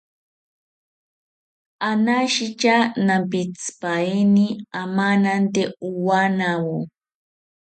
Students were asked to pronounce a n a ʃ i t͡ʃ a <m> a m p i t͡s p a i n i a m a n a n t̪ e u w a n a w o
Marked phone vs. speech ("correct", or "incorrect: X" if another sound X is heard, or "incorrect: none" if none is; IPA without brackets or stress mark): incorrect: n